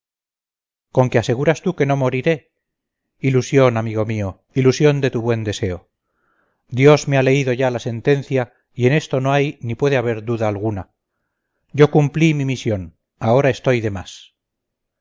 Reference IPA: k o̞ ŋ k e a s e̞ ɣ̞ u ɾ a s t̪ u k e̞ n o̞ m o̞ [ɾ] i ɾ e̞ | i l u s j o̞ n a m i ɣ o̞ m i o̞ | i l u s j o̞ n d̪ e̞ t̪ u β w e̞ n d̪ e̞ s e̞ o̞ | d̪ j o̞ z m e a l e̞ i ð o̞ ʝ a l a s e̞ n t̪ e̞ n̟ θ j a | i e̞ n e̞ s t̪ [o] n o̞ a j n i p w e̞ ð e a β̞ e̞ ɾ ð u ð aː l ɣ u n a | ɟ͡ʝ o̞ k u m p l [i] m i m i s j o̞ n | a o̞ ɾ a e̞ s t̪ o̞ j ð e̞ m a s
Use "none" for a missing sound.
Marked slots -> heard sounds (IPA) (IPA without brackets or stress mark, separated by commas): ɾ, o, i